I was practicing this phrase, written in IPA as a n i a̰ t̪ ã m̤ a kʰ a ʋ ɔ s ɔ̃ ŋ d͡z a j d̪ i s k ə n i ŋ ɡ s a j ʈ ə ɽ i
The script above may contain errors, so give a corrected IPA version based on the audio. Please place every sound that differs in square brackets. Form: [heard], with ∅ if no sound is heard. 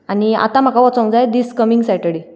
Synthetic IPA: a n i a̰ t̪ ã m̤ a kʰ a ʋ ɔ [t͡s] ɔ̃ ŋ d͡z a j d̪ i s k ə [m] i ŋ ɡ s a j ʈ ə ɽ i